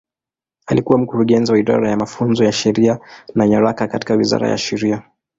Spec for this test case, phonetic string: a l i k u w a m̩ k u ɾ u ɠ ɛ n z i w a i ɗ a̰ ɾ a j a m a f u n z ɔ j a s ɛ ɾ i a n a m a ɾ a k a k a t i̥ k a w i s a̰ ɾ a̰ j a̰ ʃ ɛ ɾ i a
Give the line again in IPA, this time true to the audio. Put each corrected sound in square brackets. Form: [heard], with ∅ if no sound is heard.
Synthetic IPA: a l i k u w a m̩ k u ɾ u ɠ ɛ n z i w a i ɗ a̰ ɾ a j a m a f u n z ɔ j a [ʃ] ɛ ɾ i a n a [ɲ] a ɾ a k a k a t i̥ k a w i [z] a̰ ɾ a̰ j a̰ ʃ ɛ ɾ i a